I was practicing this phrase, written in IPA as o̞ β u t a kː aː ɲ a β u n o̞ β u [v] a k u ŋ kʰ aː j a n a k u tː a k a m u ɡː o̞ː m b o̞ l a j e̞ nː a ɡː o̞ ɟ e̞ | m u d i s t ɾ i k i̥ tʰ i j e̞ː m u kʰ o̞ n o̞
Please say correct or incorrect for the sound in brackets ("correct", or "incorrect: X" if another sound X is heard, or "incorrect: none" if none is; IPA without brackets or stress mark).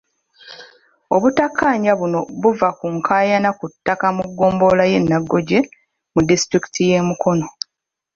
correct